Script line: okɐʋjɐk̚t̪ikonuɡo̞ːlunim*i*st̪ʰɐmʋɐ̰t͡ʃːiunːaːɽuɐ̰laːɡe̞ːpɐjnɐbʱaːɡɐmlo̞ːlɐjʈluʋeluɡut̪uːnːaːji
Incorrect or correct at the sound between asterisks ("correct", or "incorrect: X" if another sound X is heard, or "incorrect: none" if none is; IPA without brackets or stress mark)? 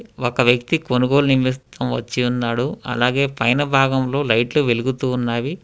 correct